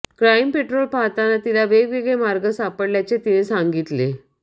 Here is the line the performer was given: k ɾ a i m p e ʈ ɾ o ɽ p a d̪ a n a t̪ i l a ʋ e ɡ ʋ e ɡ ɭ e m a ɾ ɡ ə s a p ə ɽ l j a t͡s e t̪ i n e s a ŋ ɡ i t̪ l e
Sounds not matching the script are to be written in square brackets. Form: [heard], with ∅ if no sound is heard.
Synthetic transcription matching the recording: k ɾ a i m p e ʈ ɾ o [l] p a [t̪] a n a t̪ i l a ʋ e ɡ ʋ e ɡ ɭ e m a ɾ ɡ ə s a p ə ɽ l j a t͡s e t̪ i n e s a ŋ ɡ i t̪ l e

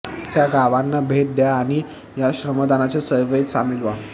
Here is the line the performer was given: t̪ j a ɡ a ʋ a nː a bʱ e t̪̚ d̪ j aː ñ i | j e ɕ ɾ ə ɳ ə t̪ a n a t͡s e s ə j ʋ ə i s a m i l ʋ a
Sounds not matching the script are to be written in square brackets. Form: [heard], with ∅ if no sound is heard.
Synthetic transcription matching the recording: t̪ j a ɡ a ʋ a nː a bʱ e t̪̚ d̪ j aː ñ i | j [a] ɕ ɾ ə [m] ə [d̪] a n a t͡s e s ə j ʋ ə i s a m i l ʋ a

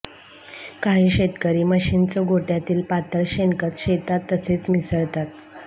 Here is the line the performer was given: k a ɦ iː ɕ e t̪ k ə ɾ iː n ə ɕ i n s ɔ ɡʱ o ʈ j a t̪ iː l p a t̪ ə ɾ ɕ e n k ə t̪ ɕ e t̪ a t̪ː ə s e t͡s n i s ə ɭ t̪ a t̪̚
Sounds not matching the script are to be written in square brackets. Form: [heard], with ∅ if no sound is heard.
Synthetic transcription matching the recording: k a ɦ iː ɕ e t̪ k ə ɾ iː [m] ə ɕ i n [t͡s] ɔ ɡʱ o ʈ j a t̪ iː l p a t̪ ə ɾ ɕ e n k ə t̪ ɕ e t̪ a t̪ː ə s e t͡s [m] i s ə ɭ t̪ a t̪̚

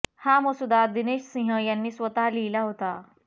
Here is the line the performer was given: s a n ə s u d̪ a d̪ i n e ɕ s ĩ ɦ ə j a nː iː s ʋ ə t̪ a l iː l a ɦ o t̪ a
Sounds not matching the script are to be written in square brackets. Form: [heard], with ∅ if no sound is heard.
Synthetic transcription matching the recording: [h] a [m] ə s u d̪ a d̪ i n e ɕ s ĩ ɦ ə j a nː iː s ʋ ə t̪ a l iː l a ɦ o t̪ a

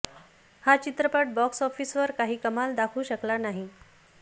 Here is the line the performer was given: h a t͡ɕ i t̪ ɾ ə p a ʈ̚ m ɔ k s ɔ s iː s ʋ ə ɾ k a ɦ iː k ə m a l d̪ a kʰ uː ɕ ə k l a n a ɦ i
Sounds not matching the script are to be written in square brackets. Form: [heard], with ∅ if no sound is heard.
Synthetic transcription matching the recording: h a t͡ɕ i t̪ ɾ ə p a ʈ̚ [b] ɔ k s ɔ [f] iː s ʋ ə ɾ k a ɦ iː k ə m a l d̪ a kʰ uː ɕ ə k l a n a ɦ i

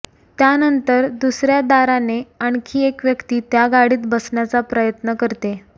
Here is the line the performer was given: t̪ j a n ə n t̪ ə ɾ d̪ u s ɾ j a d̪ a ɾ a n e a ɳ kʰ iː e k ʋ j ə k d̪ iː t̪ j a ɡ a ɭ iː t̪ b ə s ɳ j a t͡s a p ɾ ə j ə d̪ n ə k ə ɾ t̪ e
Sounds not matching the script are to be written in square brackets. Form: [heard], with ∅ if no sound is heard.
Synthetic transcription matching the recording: t̪ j a n ə n t̪ ə ɾ d̪ u s ɾ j a d̪ a ɾ a n e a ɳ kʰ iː e k ʋ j ə k [t̪] iː t̪ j a ɡ a [ɽ] iː t̪ b ə s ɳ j a t͡s a p ɾ ə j ə [t̪] n ə k ə ɾ t̪ e

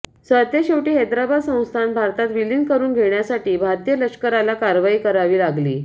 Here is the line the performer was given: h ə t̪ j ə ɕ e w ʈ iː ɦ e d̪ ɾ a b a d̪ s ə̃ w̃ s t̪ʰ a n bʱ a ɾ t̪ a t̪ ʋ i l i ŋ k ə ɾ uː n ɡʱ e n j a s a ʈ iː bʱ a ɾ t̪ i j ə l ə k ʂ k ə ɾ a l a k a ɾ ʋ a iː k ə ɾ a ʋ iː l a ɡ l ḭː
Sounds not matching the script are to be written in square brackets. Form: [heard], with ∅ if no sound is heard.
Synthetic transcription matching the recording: [s] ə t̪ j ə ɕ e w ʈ iː ɦ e d̪ ɾ a b a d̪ s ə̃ w̃ s t̪ʰ a n bʱ a ɾ t̪ a t̪ ʋ i l i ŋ k ə ɾ uː n ɡʱ e [ɳ] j a s a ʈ iː bʱ a ɾ t̪ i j ə l ə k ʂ k ə ɾ a l a k a ɾ ʋ a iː k ə ɾ a ʋ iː l a ɡ l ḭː

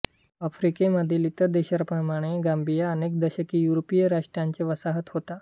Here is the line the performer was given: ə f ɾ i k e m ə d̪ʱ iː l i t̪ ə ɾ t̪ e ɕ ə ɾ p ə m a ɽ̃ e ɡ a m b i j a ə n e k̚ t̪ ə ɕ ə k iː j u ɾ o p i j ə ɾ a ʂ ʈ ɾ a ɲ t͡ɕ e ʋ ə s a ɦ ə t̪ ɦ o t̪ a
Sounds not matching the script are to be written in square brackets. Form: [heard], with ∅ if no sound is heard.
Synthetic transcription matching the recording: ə f ɾ i k e m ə d̪ʱ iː l i t̪ ə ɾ [d̪] e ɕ ə ɾ p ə m a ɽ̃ e ɡ a m b i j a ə n e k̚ [d̪] ə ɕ ə k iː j u ɾ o p i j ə ɾ a ʂ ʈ ɾ a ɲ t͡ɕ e ʋ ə s a ɦ ə t̪ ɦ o t̪ a

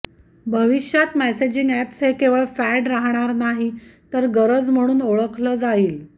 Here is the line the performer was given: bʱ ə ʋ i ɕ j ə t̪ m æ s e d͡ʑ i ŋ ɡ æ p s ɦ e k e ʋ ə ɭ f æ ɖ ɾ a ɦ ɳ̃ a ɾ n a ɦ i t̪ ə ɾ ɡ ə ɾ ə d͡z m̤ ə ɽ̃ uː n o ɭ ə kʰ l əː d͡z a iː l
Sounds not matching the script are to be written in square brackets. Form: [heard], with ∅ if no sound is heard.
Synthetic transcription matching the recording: bʱ ə ʋ i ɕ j [a] t̪ m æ s e d͡ʑ i ŋ ɡ æ p s ɦ e k e ʋ ə ɭ f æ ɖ ɾ a ɦ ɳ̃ a ɾ n a ɦ i t̪ ə ɾ ɡ ə ɾ ə d͡z m̤ ə ɽ̃ uː n o ɭ ə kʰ l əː d͡z a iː l

